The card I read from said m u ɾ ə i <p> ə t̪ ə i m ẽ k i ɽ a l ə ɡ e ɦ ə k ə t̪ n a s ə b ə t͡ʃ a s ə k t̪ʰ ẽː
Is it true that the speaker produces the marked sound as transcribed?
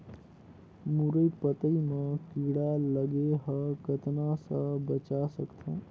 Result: yes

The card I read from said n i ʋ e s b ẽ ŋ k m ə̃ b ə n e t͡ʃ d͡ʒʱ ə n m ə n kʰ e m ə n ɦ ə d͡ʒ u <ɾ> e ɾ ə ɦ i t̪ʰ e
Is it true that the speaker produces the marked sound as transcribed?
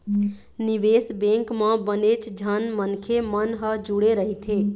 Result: no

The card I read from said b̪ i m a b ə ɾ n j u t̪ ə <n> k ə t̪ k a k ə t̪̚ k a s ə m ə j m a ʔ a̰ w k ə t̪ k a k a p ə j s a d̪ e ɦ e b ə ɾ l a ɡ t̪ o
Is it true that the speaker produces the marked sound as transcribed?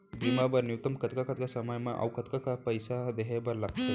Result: no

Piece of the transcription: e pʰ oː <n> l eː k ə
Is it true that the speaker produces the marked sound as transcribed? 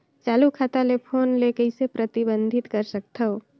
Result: yes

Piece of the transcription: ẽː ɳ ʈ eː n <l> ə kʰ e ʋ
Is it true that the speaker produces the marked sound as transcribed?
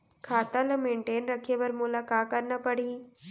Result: no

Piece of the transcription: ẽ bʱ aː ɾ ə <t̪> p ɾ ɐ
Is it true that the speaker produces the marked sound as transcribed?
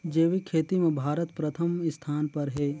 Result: yes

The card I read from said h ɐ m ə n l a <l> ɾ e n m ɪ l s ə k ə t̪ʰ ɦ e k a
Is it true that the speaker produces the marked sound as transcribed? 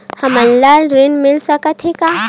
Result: yes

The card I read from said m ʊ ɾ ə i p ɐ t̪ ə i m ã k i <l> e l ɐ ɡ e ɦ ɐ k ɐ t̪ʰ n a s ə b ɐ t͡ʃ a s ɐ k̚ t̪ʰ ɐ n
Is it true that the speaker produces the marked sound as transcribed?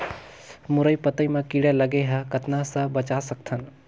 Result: no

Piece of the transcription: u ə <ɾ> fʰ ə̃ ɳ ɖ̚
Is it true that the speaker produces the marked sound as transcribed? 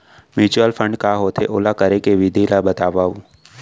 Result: no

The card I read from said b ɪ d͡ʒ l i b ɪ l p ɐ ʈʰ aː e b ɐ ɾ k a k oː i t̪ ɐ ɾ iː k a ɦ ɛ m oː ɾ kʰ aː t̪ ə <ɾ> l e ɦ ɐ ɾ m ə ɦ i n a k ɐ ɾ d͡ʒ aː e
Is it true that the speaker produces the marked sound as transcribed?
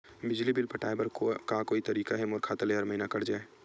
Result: no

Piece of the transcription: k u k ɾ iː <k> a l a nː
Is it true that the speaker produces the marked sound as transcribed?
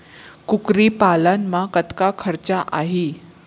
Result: no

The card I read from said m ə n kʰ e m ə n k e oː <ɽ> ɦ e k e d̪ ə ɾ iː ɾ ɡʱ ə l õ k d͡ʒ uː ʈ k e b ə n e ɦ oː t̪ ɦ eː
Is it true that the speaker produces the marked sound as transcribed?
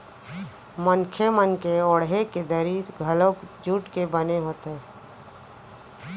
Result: yes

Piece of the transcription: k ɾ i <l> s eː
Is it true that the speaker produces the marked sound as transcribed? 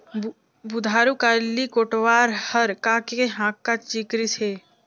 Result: no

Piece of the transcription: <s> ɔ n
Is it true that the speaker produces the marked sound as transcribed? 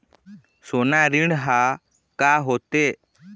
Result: yes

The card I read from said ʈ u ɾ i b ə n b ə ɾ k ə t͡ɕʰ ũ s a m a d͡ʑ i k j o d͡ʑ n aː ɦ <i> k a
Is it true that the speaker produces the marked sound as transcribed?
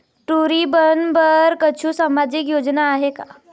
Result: no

